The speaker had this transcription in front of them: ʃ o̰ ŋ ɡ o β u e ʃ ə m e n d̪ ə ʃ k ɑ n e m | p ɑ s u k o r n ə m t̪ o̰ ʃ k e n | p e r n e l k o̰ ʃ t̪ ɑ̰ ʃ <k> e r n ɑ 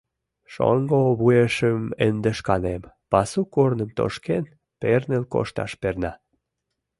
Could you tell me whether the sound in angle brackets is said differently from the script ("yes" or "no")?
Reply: yes